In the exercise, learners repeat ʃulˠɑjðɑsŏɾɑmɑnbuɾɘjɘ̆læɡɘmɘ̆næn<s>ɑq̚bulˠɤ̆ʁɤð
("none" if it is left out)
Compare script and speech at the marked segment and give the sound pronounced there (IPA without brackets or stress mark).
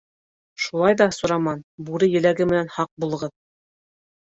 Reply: h